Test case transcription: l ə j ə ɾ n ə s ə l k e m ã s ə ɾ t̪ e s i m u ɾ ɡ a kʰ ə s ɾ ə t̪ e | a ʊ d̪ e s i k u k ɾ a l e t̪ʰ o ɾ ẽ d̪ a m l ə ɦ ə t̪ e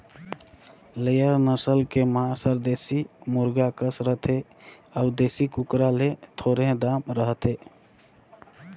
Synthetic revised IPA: l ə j ə ɾ n ə s ə l k e m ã s ə ɾ d̪ e s i m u ɾ ɡ a k ə s ɾ ə t̪ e | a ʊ d̪ e s i k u k ɾ a l e t̪ʰ o ɾ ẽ d̪ a m ɾ ə ɦ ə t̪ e